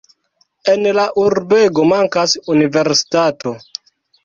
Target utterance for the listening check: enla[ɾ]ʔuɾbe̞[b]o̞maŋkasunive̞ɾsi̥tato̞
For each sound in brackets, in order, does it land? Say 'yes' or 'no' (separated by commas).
no, no